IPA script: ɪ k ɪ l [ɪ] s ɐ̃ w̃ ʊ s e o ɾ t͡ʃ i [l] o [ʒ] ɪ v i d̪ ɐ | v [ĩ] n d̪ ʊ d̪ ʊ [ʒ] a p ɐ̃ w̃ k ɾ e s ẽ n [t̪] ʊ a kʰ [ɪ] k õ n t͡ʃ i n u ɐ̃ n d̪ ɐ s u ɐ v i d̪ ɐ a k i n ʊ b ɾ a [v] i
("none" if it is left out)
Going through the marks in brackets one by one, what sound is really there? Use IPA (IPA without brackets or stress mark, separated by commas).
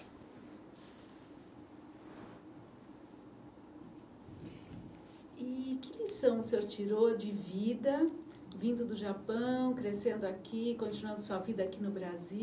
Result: i, ɾ, d͡ʒ, ĩ, ʒ, d̪, i, z